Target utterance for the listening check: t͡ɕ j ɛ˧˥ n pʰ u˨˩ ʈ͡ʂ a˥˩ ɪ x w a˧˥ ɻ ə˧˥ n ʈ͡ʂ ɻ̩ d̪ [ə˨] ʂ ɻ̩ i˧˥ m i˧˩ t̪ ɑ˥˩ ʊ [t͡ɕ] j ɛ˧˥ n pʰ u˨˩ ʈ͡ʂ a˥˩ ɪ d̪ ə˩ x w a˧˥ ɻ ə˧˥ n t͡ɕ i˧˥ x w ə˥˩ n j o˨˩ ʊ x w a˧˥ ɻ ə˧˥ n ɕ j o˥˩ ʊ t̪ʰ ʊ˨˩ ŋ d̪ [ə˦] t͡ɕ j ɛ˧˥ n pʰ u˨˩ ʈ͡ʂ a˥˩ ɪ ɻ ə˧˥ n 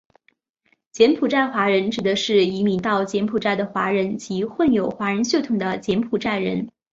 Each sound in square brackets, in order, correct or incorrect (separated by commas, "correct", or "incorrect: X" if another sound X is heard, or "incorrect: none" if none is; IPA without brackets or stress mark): incorrect: ə˦, correct, correct